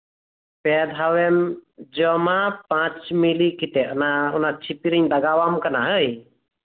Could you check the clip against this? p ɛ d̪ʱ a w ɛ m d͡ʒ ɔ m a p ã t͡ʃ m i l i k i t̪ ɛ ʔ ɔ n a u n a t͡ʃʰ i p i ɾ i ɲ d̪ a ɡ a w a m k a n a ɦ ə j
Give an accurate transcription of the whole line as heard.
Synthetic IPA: p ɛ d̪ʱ a w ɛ m d͡ʒ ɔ m a p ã t͡ʃ m i l i k i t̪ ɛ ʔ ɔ n a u n a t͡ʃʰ i p i ɾ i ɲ d̪ a ɡ a w a m k a n a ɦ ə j